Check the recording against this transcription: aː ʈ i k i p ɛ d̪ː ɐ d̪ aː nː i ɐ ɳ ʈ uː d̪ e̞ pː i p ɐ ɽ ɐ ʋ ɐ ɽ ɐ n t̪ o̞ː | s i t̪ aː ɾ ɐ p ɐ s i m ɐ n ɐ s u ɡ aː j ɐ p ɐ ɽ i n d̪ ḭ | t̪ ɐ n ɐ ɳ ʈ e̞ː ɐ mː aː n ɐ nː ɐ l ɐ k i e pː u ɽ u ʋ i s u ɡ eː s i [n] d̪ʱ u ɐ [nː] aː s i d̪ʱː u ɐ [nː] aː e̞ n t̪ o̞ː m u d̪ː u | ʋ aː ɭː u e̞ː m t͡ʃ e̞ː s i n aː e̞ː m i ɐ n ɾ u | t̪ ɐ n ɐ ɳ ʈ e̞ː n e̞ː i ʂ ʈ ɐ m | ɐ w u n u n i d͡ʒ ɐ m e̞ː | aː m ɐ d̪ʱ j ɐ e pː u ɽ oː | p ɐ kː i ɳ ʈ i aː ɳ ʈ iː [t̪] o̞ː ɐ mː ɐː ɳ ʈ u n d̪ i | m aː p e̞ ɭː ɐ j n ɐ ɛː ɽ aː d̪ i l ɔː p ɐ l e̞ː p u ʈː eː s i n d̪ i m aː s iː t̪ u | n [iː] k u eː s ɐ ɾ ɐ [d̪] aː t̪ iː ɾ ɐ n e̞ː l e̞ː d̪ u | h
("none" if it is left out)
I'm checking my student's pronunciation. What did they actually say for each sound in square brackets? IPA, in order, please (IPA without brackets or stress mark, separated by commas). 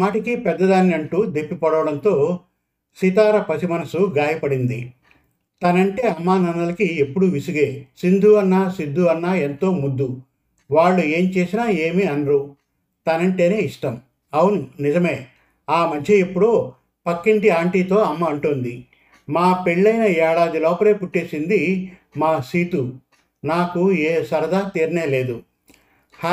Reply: n, nː, nː, t̪, aː, d̪